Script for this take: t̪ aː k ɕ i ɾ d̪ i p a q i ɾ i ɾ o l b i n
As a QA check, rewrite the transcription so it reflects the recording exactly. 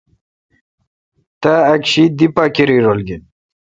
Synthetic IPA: t̪ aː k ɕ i d̪ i p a k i ɾ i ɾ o l ɡ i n